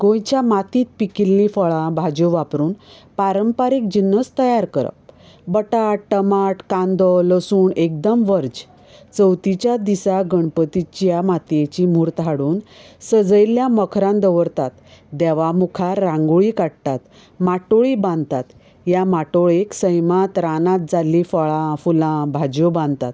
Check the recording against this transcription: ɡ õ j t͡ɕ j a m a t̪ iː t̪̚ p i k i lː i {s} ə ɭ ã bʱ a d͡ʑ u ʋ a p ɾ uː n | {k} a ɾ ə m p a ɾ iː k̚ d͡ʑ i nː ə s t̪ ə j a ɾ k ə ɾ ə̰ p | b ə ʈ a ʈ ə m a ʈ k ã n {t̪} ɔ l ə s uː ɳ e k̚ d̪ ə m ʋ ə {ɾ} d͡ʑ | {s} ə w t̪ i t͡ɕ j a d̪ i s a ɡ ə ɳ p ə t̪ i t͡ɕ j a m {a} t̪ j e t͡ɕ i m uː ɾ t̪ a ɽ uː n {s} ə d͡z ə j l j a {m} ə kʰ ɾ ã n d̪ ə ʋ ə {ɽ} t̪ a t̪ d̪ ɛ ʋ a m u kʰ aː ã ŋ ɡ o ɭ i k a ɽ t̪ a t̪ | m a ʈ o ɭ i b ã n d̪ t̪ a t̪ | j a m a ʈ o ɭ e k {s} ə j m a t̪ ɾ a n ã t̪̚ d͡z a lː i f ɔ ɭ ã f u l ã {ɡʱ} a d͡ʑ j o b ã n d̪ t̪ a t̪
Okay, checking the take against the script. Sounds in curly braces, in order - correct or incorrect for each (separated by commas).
incorrect, incorrect, incorrect, correct, incorrect, correct, correct, correct, incorrect, correct, incorrect